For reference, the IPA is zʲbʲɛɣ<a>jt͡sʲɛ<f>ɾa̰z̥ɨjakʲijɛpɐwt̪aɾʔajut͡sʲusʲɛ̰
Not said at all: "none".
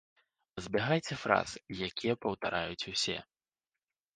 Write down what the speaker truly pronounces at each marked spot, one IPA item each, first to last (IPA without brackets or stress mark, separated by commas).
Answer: a, f